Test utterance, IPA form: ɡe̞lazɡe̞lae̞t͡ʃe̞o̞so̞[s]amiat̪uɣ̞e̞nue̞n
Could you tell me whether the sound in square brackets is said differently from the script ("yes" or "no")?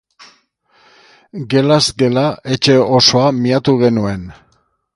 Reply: yes